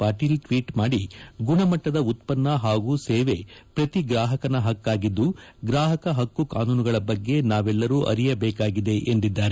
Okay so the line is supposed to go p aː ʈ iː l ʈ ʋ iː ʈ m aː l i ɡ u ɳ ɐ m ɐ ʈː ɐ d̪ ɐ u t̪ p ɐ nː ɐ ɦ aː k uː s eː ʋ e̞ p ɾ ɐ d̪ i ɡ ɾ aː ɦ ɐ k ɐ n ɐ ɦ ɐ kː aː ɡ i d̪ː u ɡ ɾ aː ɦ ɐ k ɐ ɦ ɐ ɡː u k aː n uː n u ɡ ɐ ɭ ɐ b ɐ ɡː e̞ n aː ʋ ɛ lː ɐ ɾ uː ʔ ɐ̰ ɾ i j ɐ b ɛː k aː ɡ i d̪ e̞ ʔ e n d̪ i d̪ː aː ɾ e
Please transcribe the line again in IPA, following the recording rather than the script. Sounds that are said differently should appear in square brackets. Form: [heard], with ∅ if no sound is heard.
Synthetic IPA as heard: p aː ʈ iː l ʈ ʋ iː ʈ m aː [ɽ] i ɡ u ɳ ɐ m ɐ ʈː ɐ d̪ ɐ u t̪ p ɐ nː ɐ ɦ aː [ɡ] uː s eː ʋ e̞ p ɾ ɐ [t̪] i ɡ ɾ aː ɦ ɐ k ɐ n ɐ ɦ ɐ kː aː ɡ i d̪ː u ɡ ɾ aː ɦ ɐ k ɐ ɦ ɐ [kː] u k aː n uː n u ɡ ɐ ɭ ɐ b ɐ ɡː e̞ n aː ʋ ɛ lː ɐ ɾ uː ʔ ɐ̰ ɾ i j ɐ b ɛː k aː ɡ i d̪ e̞ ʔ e n d̪ i d̪ː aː ɾ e